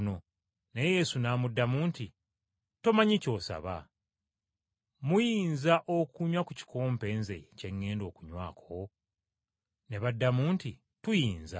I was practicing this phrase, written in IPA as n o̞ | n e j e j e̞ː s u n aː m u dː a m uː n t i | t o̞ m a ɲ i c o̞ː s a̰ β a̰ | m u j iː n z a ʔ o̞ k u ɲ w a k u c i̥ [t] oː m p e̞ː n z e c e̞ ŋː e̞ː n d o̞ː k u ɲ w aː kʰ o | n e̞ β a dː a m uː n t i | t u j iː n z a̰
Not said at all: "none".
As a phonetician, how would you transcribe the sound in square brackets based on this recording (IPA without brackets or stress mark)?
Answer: k